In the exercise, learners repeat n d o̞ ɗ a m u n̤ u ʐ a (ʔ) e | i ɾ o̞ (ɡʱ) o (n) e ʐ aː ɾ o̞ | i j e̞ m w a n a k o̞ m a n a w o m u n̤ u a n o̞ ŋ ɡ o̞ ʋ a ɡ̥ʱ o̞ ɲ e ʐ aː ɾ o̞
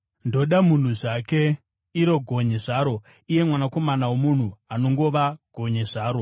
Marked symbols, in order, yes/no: no, yes, no

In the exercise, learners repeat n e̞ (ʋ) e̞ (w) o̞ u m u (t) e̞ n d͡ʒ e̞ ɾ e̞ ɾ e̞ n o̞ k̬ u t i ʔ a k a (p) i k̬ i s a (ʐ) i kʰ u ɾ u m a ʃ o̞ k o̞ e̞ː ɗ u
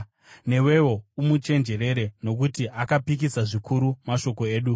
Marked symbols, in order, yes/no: no, yes, no, yes, yes

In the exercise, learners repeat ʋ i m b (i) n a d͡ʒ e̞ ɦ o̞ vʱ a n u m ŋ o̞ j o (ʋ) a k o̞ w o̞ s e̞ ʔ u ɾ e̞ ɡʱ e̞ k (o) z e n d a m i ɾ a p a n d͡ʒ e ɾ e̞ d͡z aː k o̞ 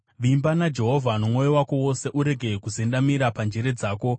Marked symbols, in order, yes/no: no, no, no

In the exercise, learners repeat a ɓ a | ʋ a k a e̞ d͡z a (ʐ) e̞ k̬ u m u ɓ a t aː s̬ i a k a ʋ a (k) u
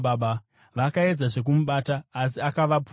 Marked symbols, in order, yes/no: yes, no

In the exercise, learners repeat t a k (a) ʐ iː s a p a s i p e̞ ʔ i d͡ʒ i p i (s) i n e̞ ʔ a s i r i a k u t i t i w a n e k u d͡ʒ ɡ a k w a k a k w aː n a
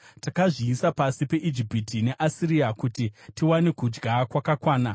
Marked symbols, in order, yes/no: yes, no

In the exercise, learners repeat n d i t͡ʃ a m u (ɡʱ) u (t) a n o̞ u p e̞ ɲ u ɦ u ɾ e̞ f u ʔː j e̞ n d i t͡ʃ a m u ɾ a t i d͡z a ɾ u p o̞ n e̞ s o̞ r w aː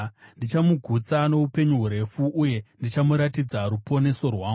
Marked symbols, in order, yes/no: yes, no

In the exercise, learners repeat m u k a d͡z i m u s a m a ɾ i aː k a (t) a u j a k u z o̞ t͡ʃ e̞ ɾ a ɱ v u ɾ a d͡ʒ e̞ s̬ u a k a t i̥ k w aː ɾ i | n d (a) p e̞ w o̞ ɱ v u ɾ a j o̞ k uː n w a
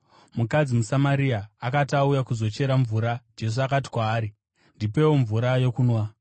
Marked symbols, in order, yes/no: yes, no

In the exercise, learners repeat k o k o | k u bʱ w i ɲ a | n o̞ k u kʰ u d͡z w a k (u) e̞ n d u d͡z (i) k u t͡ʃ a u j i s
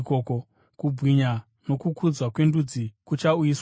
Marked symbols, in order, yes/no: no, yes

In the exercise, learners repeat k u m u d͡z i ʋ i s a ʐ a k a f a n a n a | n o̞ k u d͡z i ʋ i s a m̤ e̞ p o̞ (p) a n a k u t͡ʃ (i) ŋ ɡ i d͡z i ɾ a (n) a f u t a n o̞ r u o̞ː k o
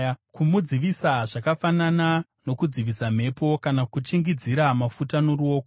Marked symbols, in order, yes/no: no, yes, no

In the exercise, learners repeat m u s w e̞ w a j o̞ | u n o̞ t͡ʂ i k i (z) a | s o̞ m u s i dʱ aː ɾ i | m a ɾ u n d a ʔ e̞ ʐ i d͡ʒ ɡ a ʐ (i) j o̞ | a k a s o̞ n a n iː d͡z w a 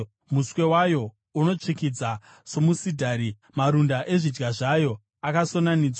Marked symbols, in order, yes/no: no, no

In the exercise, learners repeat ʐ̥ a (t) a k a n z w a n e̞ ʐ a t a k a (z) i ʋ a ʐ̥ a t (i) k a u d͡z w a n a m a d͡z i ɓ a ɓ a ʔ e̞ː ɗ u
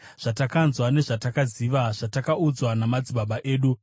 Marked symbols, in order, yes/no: yes, yes, no

